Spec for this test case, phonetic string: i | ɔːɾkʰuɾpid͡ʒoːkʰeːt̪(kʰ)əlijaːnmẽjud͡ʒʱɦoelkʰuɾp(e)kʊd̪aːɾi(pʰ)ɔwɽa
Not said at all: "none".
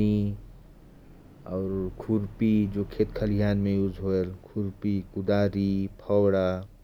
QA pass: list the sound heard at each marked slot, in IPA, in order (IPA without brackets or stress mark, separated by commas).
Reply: kʰ, i, pʰ